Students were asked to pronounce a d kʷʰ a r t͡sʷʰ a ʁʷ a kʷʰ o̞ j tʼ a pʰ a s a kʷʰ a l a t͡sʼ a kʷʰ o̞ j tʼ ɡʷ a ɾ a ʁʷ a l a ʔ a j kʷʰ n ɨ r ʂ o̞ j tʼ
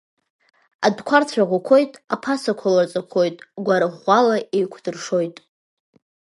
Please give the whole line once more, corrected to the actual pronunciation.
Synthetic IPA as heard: a d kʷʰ a r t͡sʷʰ a ʁʷ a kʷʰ o̞ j tʼ a pʰ a s a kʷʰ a l a t͡sʼ a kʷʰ o̞ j tʼ ɡʷ a ɾ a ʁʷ a l a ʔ e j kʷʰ d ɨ r ʂ o̞ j tʼ